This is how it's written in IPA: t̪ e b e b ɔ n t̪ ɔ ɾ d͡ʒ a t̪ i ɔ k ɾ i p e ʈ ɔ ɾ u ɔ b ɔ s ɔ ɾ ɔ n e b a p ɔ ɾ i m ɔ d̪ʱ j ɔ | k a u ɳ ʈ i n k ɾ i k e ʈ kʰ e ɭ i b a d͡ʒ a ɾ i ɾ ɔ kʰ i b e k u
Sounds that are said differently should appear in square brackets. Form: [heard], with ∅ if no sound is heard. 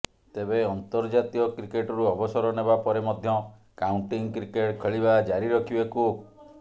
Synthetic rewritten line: t̪ e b e [∅] ɔ n t̪ ɔ ɾ d͡ʒ a t̪ i ɔ k ɾ i [k] e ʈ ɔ ɾ u ɔ b ɔ s ɔ ɾ ɔ n e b a p ɔ ɾ [e] m ɔ d̪ʱ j ɔ | k a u ɳ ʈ i [ŋ] k ɾ i k e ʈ kʰ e ɭ i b a d͡ʒ a ɾ i ɾ ɔ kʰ i b e k u

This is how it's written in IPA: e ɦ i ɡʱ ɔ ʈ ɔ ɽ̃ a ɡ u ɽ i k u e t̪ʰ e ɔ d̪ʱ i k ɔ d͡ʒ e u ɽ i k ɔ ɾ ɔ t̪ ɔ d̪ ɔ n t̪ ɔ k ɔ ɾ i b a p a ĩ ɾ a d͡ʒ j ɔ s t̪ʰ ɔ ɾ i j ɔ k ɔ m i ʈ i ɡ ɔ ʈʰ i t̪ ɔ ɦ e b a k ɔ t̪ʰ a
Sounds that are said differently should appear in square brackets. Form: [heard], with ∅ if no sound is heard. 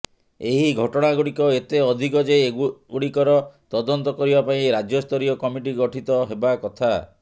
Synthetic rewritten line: e ɦ i ɡʱ ɔ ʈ ɔ ɽ̃ a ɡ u ɽ i k [ɔ] e [t̪] e ɔ d̪ʱ i k ɔ d͡ʒ e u ɽ i k ɔ ɾ ɔ t̪ ɔ d̪ ɔ n t̪ ɔ k ɔ ɾ i b a p a ĩ ɾ a d͡ʒ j ɔ s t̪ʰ ɔ ɾ i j ɔ k ɔ m i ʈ i ɡ ɔ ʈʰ i t̪ ɔ ɦ e b a k ɔ t̪ʰ a

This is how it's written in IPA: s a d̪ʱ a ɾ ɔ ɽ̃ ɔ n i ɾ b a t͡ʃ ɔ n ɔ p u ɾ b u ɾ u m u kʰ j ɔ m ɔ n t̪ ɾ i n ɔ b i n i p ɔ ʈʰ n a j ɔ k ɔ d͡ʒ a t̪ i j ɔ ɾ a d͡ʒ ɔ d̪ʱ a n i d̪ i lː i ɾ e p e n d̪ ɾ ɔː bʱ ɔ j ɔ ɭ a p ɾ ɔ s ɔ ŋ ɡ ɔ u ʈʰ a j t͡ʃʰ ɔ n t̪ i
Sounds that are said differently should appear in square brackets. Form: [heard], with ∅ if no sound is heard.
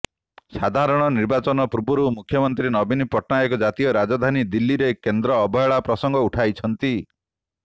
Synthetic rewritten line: s a d̪ʱ a ɾ ɔ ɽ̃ ɔ n i ɾ b a t͡ʃ ɔ n ɔ p u ɾ b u ɾ u m u kʰ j ɔ m ɔ n t̪ ɾ i n ɔ b i n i p ɔ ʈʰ n a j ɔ k ɔ d͡ʒ a t̪ i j ɔ ɾ a d͡ʒ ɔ d̪ʱ a n i d̪ i lː i ɾ e [k] e n d̪ ɾ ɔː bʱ ɔ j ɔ ɭ a p ɾ ɔ s ɔ ŋ ɡ ɔ u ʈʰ a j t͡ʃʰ ɔ n t̪ i

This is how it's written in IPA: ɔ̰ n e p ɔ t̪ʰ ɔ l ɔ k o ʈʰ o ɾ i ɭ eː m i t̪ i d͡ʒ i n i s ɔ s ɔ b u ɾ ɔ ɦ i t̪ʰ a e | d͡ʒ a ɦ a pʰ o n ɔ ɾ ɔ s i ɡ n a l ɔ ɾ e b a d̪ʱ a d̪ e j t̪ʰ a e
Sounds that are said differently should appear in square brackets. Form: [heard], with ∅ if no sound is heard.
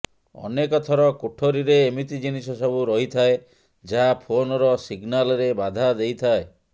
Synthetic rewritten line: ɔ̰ n e [k] ɔ t̪ʰ ɔ [ɾ] ɔ k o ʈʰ o ɾ i [ɾ] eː m i t̪ i d͡ʒ i n i s ɔ s ɔ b u ɾ ɔ ɦ i t̪ʰ a e | d͡ʒ a ɦ a pʰ o n ɔ ɾ ɔ s i ɡ n a l ɔ ɾ e b a d̪ʱ a d̪ e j t̪ʰ a e

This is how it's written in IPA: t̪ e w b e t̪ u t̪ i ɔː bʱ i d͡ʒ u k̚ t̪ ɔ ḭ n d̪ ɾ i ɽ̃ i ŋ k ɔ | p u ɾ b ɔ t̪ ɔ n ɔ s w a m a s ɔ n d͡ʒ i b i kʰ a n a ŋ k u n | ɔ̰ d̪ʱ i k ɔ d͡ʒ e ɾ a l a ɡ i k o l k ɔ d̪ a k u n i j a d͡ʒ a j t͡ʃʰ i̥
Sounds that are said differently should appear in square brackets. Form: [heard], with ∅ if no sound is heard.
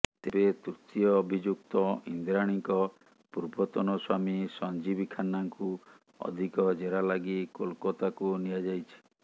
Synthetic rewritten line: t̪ e [∅] b e t̪ u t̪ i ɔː bʱ i d͡ʒ u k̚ t̪ ɔ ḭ n d̪ ɾ [a] ɽ̃ i ŋ k ɔ | p u ɾ b ɔ t̪ ɔ n ɔ s w a m [i] s ɔ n d͡ʒ i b i kʰ a n a ŋ k u [∅] | ɔ̰ d̪ʱ i k ɔ d͡ʒ e ɾ a l a ɡ i k o l k ɔ [t̪] a k u n i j a d͡ʒ a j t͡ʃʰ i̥

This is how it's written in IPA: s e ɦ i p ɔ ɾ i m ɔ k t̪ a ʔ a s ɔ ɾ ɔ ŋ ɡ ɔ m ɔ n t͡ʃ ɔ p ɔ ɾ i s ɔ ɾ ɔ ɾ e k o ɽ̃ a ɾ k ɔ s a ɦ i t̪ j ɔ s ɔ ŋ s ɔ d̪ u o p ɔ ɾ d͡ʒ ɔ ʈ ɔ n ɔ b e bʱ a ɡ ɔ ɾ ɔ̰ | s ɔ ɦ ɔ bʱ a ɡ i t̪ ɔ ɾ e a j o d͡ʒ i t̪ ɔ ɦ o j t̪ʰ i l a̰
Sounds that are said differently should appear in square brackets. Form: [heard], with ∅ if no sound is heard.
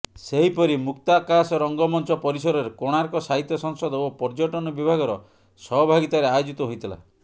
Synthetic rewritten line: s e ɦ i p ɔ ɾ i m [u] k t̪ a [k] a s ɔ ɾ ɔ ŋ ɡ ɔ m ɔ n t͡ʃ ɔ p ɔ ɾ i s ɔ ɾ ɔ ɾ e k o ɽ̃ a ɾ k ɔ s a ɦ i t̪ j ɔ s ɔ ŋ s ɔ d̪ [ɔ] o p ɔ ɾ d͡ʒ ɔ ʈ ɔ n ɔ b [i] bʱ a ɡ ɔ ɾ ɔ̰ | s ɔ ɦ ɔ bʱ a ɡ i t̪ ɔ ɾ e a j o d͡ʒ i t̪ ɔ ɦ o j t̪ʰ i l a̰

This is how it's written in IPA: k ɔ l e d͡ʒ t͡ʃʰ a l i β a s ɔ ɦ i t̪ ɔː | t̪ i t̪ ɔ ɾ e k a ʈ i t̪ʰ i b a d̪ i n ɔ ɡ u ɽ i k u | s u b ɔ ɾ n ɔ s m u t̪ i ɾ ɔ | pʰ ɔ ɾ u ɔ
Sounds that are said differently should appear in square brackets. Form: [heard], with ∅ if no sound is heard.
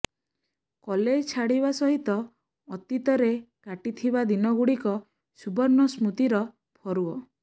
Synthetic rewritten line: k ɔ l e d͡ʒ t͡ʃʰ a [ɽ] i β a s ɔ ɦ i t̪ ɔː | t̪ i t̪ ɔ ɾ e k a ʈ i t̪ʰ i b a d̪ i n ɔ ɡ u ɽ i k [ɔ] | s u b ɔ ɾ n ɔ s m u t̪ i ɾ ɔ | pʰ ɔ ɾ u ɔ

